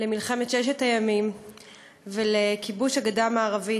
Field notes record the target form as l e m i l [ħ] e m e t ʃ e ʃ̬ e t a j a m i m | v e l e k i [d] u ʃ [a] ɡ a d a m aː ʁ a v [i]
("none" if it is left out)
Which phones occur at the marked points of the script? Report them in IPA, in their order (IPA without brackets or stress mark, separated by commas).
χ, b, a, i